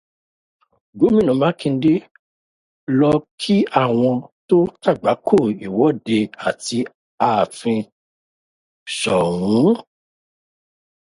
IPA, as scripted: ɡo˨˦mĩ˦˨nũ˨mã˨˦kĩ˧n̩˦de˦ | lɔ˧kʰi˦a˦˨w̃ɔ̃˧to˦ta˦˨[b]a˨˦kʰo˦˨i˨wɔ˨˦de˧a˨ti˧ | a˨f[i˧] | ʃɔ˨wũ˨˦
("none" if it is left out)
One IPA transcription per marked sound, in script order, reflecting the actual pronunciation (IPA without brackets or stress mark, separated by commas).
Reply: ɡ͡b, ĩ˧